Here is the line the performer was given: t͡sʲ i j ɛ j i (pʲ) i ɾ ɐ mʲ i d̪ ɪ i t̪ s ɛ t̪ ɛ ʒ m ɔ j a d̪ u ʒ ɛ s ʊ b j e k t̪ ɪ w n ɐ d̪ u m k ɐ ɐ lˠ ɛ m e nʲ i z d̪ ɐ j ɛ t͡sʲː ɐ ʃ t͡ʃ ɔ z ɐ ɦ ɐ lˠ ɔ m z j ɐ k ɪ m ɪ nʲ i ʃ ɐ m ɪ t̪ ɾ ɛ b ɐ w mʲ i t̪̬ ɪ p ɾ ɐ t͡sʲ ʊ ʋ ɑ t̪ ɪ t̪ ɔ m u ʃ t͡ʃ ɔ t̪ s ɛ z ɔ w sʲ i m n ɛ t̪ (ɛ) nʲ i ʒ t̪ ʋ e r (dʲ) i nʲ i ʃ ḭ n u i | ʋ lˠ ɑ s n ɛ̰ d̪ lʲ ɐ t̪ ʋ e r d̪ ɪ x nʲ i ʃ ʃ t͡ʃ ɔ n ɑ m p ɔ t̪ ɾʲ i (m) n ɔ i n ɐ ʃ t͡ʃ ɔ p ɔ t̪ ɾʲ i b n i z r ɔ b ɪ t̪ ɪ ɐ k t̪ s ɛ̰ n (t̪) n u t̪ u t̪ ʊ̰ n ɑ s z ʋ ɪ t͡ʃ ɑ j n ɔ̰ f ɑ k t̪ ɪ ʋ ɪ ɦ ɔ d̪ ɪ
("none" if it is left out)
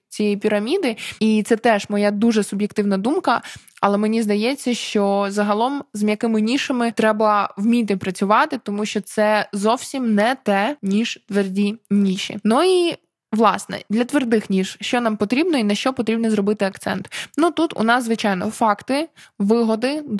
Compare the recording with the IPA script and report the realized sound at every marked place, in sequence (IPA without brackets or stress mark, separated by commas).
pʲ, ɛ, dʲ, b, t̪